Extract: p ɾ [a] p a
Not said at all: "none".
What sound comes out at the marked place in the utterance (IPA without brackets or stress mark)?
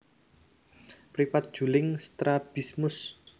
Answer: i